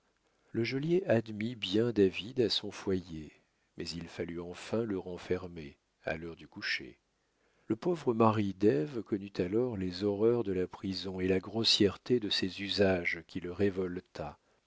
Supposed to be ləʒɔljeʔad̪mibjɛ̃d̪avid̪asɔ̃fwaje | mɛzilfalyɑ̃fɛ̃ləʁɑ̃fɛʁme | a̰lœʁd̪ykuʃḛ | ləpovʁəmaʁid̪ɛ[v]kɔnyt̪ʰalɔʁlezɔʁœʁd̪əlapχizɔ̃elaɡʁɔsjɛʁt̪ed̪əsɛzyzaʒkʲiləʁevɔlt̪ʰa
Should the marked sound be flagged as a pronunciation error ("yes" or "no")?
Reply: no